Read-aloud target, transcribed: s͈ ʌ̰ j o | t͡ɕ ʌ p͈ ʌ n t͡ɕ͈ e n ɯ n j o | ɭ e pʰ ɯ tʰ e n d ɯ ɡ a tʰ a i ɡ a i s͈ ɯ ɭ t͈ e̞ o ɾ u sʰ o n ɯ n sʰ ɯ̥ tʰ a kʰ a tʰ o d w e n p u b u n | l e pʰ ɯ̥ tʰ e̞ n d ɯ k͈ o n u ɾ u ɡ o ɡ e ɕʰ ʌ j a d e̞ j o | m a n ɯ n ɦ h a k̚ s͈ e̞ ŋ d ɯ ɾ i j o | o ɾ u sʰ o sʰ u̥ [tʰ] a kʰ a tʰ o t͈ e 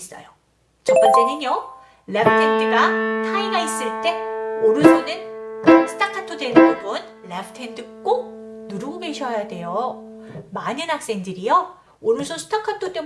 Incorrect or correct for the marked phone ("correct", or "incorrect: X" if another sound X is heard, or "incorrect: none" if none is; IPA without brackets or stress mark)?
correct